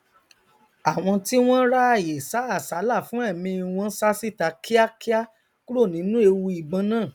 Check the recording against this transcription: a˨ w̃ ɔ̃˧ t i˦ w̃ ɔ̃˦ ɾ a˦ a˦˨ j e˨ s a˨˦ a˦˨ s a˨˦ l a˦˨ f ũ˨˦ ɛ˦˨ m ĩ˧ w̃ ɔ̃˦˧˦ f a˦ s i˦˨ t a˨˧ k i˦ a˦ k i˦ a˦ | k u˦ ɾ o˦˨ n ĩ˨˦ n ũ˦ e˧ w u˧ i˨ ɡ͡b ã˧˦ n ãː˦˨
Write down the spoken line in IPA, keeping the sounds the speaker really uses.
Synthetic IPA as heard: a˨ w̃ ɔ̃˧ t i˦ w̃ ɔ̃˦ ɾ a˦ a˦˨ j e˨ s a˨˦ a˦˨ s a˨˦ l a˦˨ f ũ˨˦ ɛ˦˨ m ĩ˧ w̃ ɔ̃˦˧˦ s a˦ s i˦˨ t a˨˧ k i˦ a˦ k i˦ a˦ | k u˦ ɾ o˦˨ n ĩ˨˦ n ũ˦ e˧ w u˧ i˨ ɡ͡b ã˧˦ n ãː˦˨